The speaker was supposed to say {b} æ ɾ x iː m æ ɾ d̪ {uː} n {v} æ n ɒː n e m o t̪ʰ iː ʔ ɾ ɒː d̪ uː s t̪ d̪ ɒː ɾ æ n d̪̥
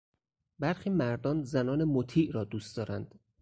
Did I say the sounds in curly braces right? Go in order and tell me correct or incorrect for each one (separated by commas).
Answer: correct, incorrect, incorrect